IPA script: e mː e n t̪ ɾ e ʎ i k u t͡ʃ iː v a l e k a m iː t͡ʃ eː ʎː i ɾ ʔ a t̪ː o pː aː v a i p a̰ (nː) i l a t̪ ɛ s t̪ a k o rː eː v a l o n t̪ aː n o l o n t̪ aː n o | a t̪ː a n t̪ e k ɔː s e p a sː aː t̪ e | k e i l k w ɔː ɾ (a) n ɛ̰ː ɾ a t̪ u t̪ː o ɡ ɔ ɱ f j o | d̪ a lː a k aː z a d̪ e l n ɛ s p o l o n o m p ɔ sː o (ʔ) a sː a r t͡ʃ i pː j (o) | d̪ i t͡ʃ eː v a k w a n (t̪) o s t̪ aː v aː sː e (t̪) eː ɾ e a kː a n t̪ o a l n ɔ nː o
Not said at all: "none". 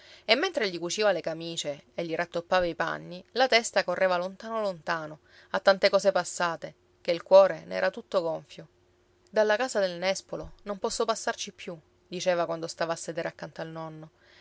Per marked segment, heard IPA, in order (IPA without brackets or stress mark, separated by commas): nː, e, p, u, d̪, d̪